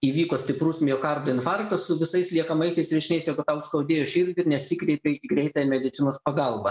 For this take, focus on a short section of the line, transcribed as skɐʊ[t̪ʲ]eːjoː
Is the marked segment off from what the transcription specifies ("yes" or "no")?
yes